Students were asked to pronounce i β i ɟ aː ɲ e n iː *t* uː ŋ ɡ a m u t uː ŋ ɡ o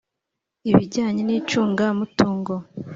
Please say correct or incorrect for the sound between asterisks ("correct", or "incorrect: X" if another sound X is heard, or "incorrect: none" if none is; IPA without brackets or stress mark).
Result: incorrect: t͡ʃ